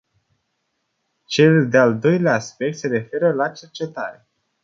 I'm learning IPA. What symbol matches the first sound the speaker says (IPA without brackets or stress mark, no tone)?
t͡ʃ